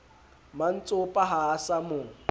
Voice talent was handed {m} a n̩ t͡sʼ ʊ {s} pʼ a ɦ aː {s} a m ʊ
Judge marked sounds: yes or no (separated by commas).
yes, no, yes